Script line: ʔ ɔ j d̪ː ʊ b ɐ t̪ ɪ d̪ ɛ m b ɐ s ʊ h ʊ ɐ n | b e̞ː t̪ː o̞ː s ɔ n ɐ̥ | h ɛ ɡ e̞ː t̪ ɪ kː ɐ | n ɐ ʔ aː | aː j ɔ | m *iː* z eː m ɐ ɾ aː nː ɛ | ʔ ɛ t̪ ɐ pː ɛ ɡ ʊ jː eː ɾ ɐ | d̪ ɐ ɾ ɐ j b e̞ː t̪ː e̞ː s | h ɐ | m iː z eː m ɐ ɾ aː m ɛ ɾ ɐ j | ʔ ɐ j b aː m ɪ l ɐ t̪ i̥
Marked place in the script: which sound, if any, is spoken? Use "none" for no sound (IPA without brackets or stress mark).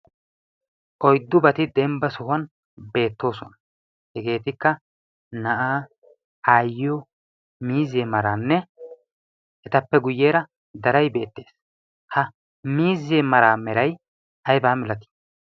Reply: iː